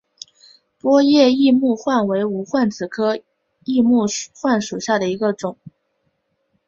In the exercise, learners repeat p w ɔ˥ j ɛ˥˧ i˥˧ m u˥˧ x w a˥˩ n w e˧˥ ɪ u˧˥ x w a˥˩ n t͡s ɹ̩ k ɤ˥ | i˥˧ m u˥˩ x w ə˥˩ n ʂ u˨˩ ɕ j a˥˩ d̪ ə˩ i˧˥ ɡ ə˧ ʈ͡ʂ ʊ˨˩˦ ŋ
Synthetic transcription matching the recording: p w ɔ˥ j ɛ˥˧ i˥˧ m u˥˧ x w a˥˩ n w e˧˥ ɪ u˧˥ x w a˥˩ n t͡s ɹ̩ kʰ ɤ˥ | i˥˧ m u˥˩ x w a˥˩ n ʂ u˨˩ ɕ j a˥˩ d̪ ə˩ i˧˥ ɡ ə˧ ʈ͡ʂ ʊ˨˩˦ ŋ